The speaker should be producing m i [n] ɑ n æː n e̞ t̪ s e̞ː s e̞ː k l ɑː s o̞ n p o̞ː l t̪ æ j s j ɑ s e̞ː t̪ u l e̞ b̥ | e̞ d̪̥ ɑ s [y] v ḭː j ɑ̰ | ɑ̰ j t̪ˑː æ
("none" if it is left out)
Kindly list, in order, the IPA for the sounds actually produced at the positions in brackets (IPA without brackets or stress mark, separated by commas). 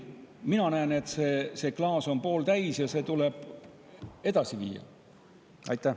n, i